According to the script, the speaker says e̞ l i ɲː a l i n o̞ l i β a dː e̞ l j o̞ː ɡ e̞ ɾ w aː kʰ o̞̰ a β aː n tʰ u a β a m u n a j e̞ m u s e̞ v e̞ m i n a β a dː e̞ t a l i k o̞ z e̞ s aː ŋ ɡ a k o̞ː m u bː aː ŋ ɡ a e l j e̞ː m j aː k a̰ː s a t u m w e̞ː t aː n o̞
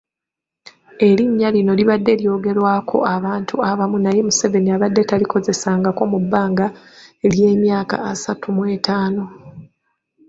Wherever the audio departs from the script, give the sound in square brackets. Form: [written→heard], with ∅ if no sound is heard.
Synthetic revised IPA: e̞ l i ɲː a l i n o̞ l i β a dː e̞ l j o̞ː ɡ e̞ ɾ w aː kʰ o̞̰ a β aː n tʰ u a β a m u n a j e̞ m u s e̞ v e̞ [m→n] i [n→∅] a β a dː e̞ t a l i k o̞ z e̞ s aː ŋ ɡ a k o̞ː m u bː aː ŋ ɡ a e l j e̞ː m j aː k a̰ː s a t u m w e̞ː t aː n o̞